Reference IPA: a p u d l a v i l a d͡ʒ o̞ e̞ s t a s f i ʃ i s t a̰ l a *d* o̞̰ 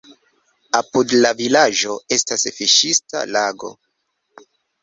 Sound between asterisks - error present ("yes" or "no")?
yes